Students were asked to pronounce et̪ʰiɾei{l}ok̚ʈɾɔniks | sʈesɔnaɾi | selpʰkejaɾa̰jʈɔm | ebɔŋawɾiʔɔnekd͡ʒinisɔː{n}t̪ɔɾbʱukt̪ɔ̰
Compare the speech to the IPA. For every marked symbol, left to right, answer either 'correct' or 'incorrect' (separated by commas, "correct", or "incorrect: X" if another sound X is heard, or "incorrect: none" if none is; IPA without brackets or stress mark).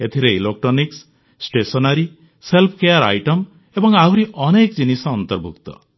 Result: correct, correct